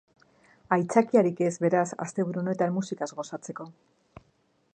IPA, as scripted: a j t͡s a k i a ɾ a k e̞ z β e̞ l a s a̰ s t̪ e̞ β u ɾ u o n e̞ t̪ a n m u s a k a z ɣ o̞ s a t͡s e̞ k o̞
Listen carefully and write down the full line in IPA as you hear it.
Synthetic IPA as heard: a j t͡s a k i a ɾ i k e̞ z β e̞ ɾ a s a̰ s t̪ e̞ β u ɾ u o n e̞ t̪ a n m u s i k a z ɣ o̞ s a t͡s e̞ k o̞

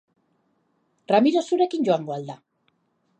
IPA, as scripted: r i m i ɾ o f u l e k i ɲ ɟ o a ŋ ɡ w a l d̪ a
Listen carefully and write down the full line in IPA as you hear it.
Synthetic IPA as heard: r a m i ɾ o s u ɾ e k i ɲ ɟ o a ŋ ɡ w a l d̪ a

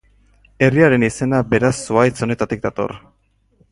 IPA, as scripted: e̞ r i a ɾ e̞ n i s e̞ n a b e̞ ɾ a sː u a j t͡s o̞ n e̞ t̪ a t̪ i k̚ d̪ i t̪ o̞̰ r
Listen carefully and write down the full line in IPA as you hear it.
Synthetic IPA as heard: e̞ r i a ɾ e̞ n i s e̞ n a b e̞ ɾ a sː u a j t͡s o̞ n e̞ t̪ a t̪ i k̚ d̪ a t̪ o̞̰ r

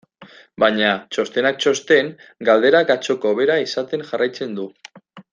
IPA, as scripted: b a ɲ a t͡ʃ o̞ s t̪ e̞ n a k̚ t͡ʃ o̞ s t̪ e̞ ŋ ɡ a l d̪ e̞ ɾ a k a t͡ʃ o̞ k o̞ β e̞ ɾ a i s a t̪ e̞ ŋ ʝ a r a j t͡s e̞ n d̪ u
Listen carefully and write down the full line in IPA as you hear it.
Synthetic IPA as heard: b a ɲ a t͡ʃ o̞ s t̪ e̞ n a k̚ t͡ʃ o̞ s t̪ e̞ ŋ ɡ a l d̪ e̞ ɾ a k a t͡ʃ o̞ k o̞ β e̞ ɾ a i s a t̪ e̞ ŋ ʝ a r a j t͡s e̞ n d̪ u

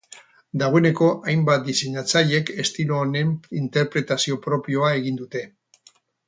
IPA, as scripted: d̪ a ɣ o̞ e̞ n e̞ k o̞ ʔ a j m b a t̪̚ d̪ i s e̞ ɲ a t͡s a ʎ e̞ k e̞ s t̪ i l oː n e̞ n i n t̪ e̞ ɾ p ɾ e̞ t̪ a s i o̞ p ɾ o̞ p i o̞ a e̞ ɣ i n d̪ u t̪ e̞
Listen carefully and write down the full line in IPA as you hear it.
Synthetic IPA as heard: d̪ a ɣ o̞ e̞ n e̞ k o̞ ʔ a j m b a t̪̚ d̪ i s e̞ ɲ a t͡s a ʎ e̞ k e̞ s t̪ i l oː n e̞ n i n t̪ e̞ ɾ p ɾ e̞ t̪ a s i o̞ p ɾ o̞ p i o̞ a e̞ ɣ i n d̪ u t̪ e̞

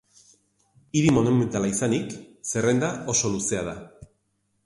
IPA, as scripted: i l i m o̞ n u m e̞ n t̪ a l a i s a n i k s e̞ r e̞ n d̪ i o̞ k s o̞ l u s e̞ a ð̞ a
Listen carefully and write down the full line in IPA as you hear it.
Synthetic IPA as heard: i ɾ i m o̞ n u m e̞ n t̪ a l a i s a n i k s e̞ r e̞ n d̪ a o̞ s o̞ l u s e̞ a ð̞ a

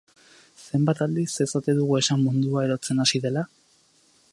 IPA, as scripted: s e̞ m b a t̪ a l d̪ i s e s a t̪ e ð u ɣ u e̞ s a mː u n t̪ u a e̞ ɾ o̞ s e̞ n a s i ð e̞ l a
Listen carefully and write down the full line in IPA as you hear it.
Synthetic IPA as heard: s e̞ m b a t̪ a l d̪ i s e s a t̪ e ð u ɣ u e̞ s a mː u n d̪ u a e̞ ɾ o̞ t͡s e̞ n a s i ð e̞ l a

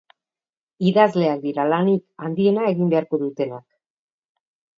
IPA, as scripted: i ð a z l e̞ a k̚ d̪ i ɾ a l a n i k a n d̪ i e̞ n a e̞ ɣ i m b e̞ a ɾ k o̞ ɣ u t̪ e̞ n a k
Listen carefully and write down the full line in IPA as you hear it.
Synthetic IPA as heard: i ð a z l e̞ a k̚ d̪ i ɾ a l a n i k a n d̪ i e̞ n a e̞ ɣ i m b e̞ a ɾ k o̞ ð u t̪ e̞ n a k

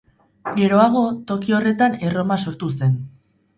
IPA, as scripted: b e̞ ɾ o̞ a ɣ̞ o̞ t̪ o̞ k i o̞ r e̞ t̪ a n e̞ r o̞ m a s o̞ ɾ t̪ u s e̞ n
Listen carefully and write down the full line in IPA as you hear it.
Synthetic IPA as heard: ɡ e̞ ɾ o̞ a ɣ̞ o̞ t̪ o̞ k i o̞ r e̞ t̪ a n e̞ r o̞ m a s o̞ ɾ t̪ u s e̞ n

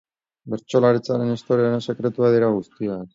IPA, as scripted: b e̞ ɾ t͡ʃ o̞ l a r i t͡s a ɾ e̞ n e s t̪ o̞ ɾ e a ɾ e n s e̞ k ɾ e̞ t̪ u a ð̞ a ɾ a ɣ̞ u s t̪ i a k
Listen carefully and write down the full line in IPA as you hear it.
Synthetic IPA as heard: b e̞ ɾ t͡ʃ o̞ l a ɾ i t͡s a ɾ e̞ n e s t̪ o̞ ɾ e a ɾ e n s e̞ k ɾ e̞ t̪ u a ð̞ i ɾ a ɣ̞ u s t̪ i a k

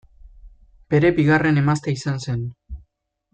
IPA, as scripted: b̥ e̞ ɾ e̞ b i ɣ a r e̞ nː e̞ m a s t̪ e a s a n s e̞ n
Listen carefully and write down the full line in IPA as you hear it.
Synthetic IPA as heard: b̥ e̞ ɾ e̞ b i ɣ a r e̞ n e̞ m a s t̪ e i s a n s e̞ n

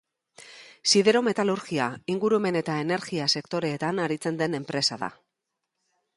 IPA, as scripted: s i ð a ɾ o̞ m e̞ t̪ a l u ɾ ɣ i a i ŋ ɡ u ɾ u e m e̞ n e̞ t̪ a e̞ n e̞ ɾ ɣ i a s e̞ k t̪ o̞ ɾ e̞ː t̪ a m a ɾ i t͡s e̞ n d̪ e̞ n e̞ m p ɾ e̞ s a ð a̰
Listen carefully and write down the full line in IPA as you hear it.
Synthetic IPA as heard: s i ð e ɾ o̞ m e̞ t̪ a l u ɾ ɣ i a i ŋ ɡ u ɾ u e m e̞ n e̞ t̪ a e̞ n e̞ ɾ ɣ i a s e̞ k t̪ o̞ ɾ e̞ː t̪ a n a ɾ i t͡s e̞ n d̪ e̞ n e̞ m p ɾ e̞ s a ð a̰

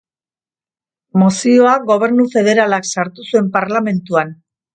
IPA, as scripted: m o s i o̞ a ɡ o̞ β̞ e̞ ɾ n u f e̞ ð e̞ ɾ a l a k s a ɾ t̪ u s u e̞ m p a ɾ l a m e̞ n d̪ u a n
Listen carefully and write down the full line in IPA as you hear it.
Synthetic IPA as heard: m o s i o̞ a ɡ o̞ β̞ e̞ ɾ n u f e̞ ð e̞ ɾ a l a k s a ɾ t̪ u s u e̞ m p a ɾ l a m e̞ n t̪ u a n

